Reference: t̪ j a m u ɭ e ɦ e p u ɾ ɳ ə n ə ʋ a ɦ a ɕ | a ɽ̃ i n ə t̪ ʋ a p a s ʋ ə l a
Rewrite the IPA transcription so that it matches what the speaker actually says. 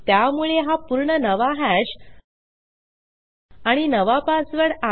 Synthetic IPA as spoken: t̪ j a m u ɭ e ɦ a p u ɾ ɳ ə n ə ʋ a ɦ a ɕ | a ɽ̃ i n ə ʋ a p a s ʋ ə ɽ a